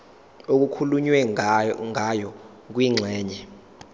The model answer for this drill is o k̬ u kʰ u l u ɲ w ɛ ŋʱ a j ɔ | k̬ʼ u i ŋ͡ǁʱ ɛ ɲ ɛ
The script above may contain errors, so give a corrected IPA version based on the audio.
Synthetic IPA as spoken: o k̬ u kʰ u l u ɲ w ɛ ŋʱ a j ɔ | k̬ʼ w i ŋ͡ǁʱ ɛː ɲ ɛ